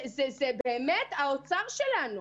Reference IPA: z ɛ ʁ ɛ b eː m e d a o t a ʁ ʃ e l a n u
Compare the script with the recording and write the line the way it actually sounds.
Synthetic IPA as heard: z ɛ z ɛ b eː m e t a o t͡s a ʁ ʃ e l a n u

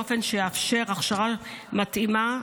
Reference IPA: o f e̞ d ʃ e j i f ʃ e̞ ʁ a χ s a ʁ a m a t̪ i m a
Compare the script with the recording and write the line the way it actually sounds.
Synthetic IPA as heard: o f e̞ n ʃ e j a f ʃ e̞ ʁ a χ ʃ a ʁ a m a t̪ i m a

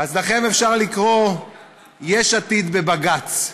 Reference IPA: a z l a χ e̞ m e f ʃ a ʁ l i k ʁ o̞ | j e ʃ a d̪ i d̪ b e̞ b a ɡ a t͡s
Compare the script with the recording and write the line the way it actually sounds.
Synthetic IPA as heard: a z l a χ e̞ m e f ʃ a ʁ l i k ʁ o̞ | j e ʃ a t̪ i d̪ b e̞ b a ɡ a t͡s

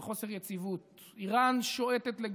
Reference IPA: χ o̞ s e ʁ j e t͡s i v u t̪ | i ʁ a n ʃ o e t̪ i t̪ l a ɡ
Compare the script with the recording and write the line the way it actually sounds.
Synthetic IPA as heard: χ o̞ s e ʁ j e t͡s i v u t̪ | i ʁ a n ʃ o e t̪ e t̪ l e ɡ

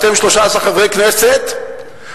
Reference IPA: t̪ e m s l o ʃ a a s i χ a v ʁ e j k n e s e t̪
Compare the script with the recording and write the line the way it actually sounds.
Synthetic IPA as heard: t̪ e m ʃ l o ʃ a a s a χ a v ʁ e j k n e s e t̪

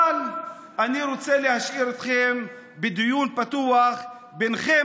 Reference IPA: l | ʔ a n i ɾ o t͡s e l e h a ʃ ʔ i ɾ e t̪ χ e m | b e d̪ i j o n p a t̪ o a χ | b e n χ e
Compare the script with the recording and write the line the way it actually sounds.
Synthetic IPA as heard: l | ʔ a n i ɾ o t͡s e l e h a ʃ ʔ i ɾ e t̪ χ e m | b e d̪ i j u n p a t̪ u a χ | b e n χ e

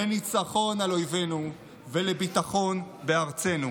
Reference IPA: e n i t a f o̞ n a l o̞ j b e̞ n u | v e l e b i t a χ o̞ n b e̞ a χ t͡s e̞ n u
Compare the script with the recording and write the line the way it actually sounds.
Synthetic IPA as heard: e n i t͡s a χ o̞ n a l o̞ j v e̞ n u | v e l e b i t a χ o̞ n b e̞ a ʁ t͡s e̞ n u

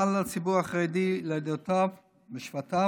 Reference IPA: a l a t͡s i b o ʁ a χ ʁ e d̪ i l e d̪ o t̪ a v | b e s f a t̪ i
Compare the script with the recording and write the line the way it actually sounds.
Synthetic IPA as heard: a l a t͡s i b u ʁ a χ ʁ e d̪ i l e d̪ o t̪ a v | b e ʃ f a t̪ a

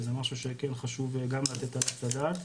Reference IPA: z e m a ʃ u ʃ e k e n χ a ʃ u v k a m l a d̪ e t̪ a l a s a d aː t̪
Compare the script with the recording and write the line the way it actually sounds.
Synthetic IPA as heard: z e m a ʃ u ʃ e k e n χ a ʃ u v ɡ a m l a t̪ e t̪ a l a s a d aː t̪

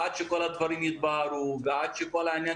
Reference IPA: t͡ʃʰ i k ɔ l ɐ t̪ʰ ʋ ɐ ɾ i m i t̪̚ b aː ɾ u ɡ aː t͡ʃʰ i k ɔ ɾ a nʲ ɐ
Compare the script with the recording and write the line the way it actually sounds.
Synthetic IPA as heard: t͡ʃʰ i k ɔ l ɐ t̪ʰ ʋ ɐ ɾ i m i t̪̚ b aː ɾ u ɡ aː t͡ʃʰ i k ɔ l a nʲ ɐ

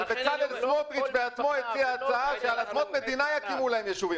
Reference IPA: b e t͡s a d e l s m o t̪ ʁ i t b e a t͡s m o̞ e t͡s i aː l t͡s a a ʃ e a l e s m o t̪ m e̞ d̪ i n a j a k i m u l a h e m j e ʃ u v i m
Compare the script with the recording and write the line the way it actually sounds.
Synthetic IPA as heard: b e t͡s a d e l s m o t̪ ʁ i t b e a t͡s m o̞ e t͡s i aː t͡s a a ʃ e a l a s m o t̪ m e̞ d̪ i n a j a k i m u l a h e m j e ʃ u v i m

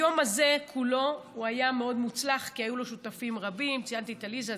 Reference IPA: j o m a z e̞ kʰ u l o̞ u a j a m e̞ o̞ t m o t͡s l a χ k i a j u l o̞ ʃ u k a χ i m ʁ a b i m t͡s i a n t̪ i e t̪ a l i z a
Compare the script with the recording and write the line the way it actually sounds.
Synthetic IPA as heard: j o m a z e̞ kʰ u l o̞ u a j a m e̞ o̞ d m u t͡s l a χ k i a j u l o̞ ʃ u t a f i m ʁ a b i m t͡s i a n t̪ i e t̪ a l i z a

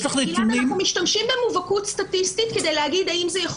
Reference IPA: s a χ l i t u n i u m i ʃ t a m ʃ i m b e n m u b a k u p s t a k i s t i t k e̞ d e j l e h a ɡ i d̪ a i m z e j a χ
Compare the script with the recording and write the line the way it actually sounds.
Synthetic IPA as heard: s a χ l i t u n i u m i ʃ t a m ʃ i m b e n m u v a k u t s t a t i s t i t k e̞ d e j l e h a ɡ i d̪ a i m z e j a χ

